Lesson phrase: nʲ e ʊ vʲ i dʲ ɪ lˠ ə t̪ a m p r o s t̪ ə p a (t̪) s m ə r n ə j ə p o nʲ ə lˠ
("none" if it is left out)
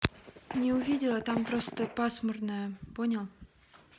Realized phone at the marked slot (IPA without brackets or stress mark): none